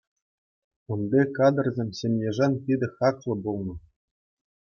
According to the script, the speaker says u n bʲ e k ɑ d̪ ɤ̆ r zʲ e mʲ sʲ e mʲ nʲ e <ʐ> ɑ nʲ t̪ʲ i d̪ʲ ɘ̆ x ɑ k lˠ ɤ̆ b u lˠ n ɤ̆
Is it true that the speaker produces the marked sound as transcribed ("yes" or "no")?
yes